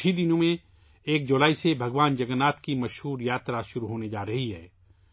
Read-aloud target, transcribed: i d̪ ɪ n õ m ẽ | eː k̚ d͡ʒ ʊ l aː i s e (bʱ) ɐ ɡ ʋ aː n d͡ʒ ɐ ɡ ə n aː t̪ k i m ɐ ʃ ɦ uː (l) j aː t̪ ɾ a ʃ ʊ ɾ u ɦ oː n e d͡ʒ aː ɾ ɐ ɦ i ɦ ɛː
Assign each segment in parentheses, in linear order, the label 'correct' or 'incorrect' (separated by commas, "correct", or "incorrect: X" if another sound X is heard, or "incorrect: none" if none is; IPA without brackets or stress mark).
correct, incorrect: ɾ